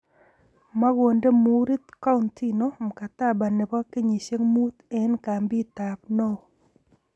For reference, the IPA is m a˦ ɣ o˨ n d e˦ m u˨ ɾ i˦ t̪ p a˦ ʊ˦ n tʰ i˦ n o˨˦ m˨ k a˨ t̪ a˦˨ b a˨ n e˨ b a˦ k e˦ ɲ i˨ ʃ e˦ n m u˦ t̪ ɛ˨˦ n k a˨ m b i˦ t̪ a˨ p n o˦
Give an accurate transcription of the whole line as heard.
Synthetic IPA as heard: m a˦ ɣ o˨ n d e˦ m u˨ ɾ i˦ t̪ k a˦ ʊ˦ n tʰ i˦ n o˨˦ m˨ k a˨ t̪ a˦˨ b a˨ n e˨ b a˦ k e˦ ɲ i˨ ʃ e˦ ŋ m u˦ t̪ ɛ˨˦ n k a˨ m b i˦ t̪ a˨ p n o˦